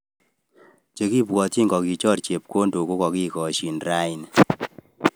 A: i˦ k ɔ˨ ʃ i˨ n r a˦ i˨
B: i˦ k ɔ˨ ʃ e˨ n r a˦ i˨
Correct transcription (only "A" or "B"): A